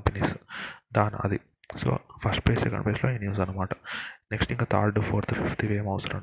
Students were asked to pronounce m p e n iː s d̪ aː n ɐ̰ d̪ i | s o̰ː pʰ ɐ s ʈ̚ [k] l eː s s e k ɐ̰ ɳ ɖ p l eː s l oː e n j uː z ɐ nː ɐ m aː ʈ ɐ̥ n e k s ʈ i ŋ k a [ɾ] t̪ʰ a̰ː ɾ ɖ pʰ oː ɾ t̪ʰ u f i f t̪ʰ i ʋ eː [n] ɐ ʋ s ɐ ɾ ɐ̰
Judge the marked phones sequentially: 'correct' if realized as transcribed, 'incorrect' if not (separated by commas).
incorrect, incorrect, incorrect